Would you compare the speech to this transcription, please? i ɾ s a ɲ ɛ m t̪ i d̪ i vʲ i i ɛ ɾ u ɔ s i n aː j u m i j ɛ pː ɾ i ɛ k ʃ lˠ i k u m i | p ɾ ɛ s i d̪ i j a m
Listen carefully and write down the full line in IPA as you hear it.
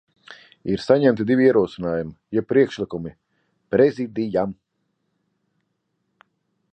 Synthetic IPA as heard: i ɾ s a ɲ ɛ m t̪ i d̪ i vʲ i i ɛ ɾ u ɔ s i n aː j u m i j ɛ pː ɾ i ɛ k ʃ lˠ i k u m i | p ɾ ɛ z i d̪ i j a m

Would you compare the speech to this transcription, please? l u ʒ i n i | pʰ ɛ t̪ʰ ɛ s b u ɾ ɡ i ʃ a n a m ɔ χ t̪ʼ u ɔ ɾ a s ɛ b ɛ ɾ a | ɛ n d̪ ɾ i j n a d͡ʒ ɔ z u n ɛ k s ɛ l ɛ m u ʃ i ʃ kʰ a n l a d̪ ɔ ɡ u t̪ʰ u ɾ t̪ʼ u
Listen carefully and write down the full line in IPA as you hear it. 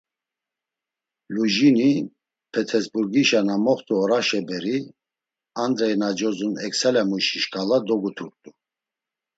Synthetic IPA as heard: l u ʒ i n i | pʰ ɛ t̪ʰ ɛ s b u ɾ ɡ i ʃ a n a m ɔ χ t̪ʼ u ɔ ɾ a ʃ ɛ b ɛ ɾ i | a n d̪ ɾ ɛ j n a d͡ʒ ɔ z u n ɛ k s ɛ l ɛ m u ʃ i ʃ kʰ a l a d̪ ɔ ɡ u t̪ʰ u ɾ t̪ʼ u

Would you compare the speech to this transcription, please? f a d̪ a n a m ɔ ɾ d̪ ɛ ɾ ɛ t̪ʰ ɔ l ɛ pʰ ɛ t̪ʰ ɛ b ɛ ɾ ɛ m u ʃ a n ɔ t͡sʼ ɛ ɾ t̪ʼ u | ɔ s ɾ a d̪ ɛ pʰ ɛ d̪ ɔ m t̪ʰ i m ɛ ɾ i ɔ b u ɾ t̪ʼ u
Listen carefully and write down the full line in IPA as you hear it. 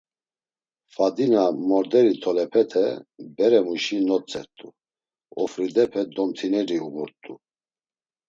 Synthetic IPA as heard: f a d̪ i n a m ɔ ɾ d̪ ɛ ɾ i t̪ʰ ɔ l ɛ pʰ ɛ t̪ʰ ɛ b ɛ ɾ ɛ m u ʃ i n ɔ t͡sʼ ɛ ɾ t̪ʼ u | ɔ f ɾ i d̪ ɛ pʰ ɛ d̪ ɔ m t̪ʰ i n ɛ ɾ i u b u ɾ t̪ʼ u

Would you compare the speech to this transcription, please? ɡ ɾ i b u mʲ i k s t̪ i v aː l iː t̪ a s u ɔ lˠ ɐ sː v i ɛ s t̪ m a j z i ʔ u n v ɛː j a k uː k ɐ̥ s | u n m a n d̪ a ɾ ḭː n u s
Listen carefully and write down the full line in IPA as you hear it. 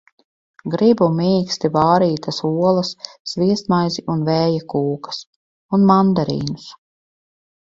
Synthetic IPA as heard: ɡ ɾ i b u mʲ iː k s t̪ i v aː ɾ iː t̪ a s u ɔ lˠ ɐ sː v i ɛ s t̪ m a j z i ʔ u n v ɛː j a k uː k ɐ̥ s | u n m a n d̪ a ɾ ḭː n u s

